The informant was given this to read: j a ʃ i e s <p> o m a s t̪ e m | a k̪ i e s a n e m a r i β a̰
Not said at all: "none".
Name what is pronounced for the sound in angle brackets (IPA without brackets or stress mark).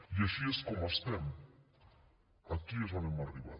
k